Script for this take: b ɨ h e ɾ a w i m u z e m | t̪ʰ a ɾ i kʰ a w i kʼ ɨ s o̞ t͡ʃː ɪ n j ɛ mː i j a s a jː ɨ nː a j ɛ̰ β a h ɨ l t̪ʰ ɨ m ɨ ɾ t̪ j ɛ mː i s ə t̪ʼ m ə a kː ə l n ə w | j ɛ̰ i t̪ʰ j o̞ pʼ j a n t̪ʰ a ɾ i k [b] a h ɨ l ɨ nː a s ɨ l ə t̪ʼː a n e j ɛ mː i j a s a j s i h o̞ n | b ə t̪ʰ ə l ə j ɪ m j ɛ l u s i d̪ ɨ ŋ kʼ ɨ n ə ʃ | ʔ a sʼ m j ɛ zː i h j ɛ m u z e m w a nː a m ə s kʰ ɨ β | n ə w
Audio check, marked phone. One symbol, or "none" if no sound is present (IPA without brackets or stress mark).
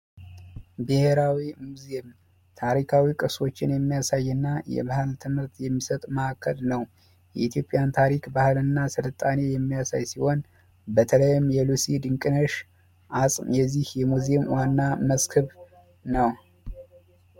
b